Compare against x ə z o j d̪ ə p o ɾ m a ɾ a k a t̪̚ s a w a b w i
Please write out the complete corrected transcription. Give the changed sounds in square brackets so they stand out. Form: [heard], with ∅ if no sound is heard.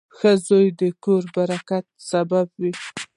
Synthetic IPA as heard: x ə z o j d̪ ə [k] o ɾ [b] a ɾ a k a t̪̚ s a [b] a b w i